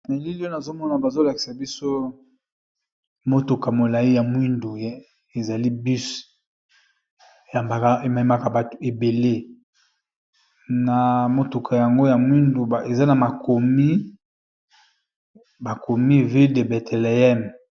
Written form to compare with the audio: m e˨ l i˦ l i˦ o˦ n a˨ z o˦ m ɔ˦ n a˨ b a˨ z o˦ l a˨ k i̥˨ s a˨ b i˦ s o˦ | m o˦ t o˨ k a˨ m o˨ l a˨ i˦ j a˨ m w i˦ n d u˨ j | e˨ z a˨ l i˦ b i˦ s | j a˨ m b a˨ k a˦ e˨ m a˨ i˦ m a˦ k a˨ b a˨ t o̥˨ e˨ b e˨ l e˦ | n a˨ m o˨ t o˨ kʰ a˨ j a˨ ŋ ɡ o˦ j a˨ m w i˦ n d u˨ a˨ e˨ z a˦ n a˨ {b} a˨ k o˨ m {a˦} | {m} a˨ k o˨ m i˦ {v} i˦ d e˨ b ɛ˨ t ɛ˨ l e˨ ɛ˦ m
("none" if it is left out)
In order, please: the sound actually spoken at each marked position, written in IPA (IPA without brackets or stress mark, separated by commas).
m, i˦, b, v